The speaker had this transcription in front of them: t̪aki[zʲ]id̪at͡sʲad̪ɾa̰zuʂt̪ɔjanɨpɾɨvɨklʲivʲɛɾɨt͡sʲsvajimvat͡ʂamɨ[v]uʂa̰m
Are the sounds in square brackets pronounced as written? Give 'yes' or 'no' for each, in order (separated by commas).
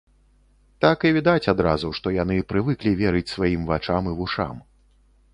no, yes